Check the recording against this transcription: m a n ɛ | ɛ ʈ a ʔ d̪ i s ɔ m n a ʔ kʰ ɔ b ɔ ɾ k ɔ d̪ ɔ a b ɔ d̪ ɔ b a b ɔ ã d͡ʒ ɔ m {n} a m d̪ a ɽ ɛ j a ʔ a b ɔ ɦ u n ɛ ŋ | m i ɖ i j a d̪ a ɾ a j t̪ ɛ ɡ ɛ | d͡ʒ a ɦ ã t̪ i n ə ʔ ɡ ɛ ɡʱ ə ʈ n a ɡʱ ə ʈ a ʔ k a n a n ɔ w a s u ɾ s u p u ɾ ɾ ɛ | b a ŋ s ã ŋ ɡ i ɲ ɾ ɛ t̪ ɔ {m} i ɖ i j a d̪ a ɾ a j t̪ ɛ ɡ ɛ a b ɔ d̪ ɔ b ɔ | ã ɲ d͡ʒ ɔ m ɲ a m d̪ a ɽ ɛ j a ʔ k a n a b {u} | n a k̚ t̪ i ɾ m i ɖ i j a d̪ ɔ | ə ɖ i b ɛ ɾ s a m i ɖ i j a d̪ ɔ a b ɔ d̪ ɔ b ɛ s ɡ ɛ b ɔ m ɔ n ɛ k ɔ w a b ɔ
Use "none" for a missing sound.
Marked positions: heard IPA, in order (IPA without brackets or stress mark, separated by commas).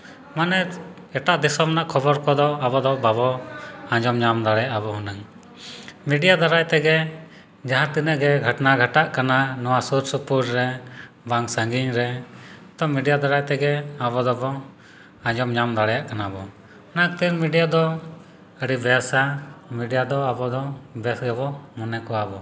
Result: ɲ, m, ɔ